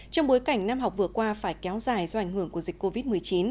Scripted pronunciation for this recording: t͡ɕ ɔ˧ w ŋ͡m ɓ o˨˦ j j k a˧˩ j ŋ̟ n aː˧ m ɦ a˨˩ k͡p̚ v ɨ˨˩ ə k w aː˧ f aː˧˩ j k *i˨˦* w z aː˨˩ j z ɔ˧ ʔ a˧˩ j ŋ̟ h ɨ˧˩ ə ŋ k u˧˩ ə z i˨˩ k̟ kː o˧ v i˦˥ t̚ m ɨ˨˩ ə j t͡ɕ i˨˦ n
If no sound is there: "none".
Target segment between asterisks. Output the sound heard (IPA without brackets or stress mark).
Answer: ɛ˨˦